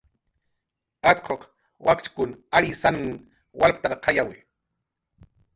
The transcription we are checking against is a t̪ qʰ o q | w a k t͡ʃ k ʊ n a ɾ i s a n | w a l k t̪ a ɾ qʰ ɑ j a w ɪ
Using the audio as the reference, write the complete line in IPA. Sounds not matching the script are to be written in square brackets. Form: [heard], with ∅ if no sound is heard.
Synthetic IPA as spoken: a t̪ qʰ o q | w a k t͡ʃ k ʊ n a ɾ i s a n | w a l [p] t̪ a ɾ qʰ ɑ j a w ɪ